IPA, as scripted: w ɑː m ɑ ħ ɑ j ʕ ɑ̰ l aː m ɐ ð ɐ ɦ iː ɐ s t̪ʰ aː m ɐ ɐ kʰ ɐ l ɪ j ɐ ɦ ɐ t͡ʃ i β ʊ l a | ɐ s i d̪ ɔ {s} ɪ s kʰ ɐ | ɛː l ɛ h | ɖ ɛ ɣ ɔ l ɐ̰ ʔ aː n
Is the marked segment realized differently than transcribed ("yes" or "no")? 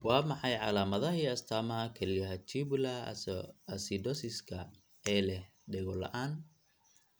no